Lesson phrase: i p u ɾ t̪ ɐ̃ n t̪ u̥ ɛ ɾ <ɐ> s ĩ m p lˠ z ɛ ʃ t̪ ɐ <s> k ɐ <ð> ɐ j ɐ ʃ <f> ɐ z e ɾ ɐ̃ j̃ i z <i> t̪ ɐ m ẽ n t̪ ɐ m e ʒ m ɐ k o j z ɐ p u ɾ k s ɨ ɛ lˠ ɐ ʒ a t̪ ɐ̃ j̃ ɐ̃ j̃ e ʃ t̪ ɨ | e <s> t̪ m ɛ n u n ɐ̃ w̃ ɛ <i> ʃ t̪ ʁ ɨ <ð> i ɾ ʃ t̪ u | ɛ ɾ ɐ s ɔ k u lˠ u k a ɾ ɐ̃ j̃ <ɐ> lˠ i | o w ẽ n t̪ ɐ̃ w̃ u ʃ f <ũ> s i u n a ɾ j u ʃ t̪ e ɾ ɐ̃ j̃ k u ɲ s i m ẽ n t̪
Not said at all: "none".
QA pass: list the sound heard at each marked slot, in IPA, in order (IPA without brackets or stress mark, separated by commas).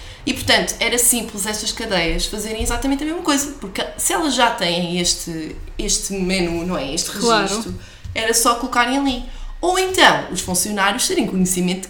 ɐ, ʃ, ð, f, a, ʃ, e, ʒ, ɐ, ũ